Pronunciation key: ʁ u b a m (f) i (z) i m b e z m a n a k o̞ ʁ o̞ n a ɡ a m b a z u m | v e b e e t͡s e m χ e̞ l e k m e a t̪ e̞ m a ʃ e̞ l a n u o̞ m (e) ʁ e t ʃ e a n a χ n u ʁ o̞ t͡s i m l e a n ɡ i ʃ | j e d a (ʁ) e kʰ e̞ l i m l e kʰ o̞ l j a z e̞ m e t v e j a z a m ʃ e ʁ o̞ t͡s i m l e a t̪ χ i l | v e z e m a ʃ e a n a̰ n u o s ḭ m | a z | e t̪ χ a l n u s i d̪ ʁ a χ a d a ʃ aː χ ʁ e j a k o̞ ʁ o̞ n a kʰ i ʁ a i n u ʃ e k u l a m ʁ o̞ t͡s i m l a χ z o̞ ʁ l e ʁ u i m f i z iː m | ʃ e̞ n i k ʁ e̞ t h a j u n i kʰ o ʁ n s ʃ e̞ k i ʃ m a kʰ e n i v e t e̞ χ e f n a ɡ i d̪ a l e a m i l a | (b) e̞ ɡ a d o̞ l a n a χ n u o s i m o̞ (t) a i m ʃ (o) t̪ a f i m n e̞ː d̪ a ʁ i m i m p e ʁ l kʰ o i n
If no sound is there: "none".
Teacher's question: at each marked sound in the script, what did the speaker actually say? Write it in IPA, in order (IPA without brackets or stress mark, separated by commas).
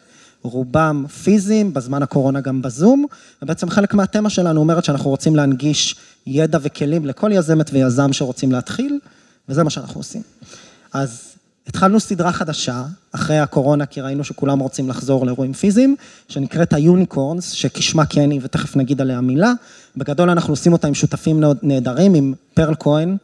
f, z, e, v, b, t, u